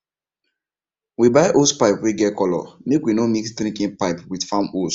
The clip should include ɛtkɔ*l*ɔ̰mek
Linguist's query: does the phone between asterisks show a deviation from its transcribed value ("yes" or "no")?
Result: no